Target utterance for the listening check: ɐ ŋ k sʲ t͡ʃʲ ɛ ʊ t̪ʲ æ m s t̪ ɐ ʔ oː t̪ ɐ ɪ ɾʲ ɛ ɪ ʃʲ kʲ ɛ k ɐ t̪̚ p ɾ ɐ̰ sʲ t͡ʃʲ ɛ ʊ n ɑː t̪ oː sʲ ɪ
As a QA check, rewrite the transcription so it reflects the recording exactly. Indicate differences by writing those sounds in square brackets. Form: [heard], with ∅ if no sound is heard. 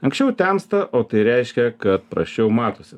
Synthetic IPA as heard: ɐ ŋ k sʲ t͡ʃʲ ɛ ʊ t̪ʲ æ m s t̪ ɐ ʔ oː t̪ ɐ ɪ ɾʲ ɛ ɪ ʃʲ kʲ ɛ k ɐ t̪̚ p ɾ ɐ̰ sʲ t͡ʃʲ ɛ ʊ [m] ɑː t̪ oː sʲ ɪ